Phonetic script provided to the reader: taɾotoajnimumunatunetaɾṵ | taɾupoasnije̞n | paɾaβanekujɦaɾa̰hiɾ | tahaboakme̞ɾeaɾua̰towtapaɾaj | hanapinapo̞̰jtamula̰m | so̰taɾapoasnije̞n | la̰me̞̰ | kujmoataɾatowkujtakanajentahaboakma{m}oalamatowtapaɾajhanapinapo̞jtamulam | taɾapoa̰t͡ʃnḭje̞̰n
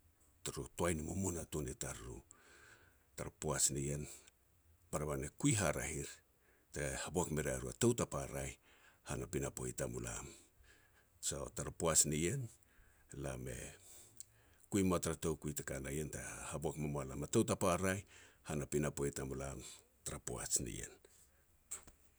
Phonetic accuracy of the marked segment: correct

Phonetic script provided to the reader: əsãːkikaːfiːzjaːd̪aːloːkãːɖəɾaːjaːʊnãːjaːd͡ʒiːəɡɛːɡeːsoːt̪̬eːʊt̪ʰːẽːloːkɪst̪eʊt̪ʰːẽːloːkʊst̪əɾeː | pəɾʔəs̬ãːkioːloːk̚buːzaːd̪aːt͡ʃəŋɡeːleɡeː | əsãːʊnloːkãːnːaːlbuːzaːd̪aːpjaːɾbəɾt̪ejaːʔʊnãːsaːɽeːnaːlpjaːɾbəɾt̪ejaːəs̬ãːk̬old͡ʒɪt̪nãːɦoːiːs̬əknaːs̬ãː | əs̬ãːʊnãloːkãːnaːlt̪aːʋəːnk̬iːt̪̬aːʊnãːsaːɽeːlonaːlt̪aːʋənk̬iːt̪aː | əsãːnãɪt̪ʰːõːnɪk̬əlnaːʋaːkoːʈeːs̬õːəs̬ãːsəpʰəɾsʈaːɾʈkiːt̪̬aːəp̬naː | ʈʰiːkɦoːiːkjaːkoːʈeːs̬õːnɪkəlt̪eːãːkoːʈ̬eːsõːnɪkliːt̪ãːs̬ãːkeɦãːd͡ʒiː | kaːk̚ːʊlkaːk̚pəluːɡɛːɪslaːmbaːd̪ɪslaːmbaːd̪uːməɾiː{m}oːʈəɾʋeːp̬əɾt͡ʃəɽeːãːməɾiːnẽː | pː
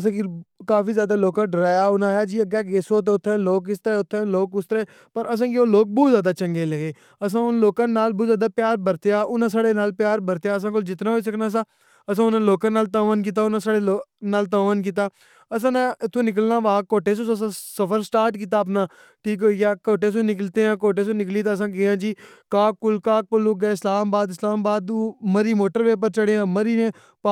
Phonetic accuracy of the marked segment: correct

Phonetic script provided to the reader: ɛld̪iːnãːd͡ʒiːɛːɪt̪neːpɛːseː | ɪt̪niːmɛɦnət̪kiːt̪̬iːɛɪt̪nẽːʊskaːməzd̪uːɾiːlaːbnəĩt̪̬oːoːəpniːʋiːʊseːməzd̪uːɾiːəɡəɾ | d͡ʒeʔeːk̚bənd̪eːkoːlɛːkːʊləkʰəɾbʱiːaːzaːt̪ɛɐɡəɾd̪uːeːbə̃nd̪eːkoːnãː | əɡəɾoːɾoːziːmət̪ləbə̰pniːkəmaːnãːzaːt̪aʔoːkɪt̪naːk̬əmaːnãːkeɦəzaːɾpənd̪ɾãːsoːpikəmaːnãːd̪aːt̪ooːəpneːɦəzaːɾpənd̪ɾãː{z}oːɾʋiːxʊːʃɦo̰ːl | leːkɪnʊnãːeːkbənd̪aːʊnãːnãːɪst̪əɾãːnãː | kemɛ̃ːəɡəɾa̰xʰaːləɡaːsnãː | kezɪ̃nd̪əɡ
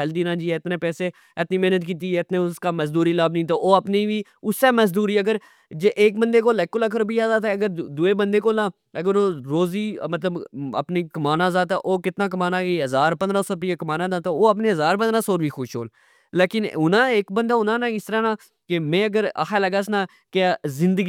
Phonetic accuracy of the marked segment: incorrect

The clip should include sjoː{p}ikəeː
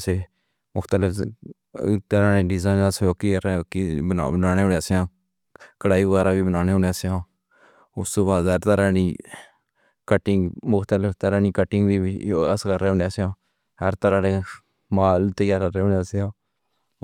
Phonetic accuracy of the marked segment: incorrect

